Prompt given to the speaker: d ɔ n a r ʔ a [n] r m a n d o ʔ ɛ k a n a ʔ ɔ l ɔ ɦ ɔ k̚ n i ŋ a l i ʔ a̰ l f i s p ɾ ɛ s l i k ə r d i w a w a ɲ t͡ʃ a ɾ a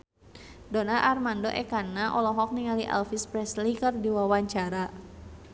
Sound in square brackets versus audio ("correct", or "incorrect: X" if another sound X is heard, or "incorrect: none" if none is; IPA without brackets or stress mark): incorrect: none